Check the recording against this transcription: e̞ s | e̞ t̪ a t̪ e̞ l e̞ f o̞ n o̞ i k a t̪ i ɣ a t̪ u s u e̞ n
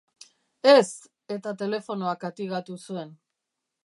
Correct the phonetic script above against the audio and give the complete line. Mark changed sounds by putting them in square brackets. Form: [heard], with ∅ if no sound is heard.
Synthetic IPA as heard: e̞ s | e̞ t̪ a t̪ e̞ l e̞ f o̞ n o̞ [a] k a t̪ i ɣ a t̪ u s u e̞ n